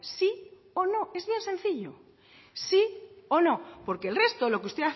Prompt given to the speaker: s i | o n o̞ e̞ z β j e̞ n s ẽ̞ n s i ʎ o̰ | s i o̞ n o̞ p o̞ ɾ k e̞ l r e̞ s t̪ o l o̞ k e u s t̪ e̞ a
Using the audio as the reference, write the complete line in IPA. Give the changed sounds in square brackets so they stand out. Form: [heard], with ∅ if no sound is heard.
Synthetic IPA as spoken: s i | o n o̞ e̞ z β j e̞ n s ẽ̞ n [θ] i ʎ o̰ | s i o̞ n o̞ p o̞ ɾ k e̞ l r e̞ s t̪ o l o̞ k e u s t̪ e̞ a